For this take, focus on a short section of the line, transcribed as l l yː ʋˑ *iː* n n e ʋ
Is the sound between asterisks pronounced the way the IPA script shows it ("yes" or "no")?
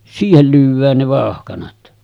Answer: no